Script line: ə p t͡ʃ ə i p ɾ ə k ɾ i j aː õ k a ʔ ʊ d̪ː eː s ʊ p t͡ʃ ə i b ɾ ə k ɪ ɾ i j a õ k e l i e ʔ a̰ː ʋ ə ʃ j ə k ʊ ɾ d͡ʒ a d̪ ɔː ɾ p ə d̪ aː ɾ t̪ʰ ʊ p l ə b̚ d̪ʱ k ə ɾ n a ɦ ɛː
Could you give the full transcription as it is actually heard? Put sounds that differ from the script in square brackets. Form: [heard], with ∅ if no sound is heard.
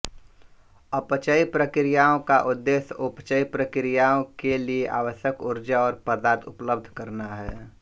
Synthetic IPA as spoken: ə p t͡ʃ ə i p ɾ ə k ɾ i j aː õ k a ʔ ʊ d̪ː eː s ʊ p t͡ʃ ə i [p] ɾ ə k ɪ ɾ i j a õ k e l i e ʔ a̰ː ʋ ə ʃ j ə k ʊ ɾ d͡ʒ a [∅] ɔː ɾ p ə d̪ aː ɾ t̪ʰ ʊ p l ə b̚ d̪ʱ k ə ɾ n a ɦ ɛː